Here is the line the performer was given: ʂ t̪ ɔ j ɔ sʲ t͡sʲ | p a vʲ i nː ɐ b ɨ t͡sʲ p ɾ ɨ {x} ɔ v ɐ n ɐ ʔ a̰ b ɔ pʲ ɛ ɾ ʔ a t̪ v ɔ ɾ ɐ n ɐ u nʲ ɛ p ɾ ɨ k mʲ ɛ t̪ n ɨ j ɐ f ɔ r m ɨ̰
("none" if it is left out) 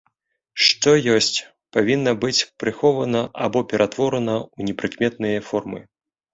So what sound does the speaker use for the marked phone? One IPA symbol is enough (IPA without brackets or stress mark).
x